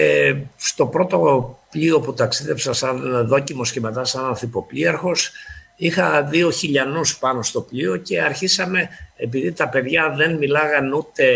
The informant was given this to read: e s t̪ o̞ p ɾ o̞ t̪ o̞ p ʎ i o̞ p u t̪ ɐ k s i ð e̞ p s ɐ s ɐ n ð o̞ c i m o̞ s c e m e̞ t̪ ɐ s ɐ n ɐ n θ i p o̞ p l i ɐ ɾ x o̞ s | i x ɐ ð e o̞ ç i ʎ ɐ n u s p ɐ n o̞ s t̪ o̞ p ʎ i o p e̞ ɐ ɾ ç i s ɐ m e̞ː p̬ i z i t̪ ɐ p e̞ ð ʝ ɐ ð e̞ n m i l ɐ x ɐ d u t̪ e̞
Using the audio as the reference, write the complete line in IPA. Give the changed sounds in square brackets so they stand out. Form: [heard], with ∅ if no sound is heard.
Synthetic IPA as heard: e s t̪ o̞ p ɾ o̞ t̪ o̞ p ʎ i o̞ p u t̪ ɐ k s i ð e̞ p s ɐ s ɐ n ð o̞ c i m o̞ s c e m e̞ t̪ ɐ s ɐ n ɐ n θ i p o̞ p l i ɐ ɾ x o̞ s | i x ɐ ð [i] o̞ ç i ʎ ɐ n u s p ɐ n o̞ s t̪ o̞ p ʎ i o [c] e̞ ɐ ɾ ç i s ɐ m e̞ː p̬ i [ð] i t̪ ɐ p e̞ ð ʝ ɐ ð e̞ n m i l ɐ [ɣ] ɐ [n] u t̪ e̞